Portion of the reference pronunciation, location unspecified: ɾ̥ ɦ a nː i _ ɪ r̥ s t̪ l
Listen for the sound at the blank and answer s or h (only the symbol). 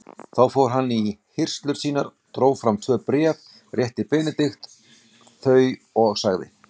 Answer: h